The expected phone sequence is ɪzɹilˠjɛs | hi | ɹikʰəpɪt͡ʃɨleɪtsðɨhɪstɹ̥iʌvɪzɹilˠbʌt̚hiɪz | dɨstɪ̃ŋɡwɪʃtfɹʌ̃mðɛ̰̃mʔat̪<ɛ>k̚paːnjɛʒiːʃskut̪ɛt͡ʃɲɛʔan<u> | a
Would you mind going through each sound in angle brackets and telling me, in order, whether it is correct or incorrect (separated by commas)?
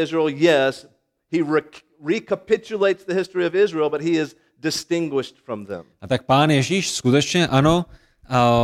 incorrect, incorrect